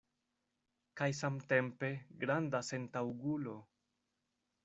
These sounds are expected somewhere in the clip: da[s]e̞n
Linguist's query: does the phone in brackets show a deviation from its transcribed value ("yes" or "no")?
no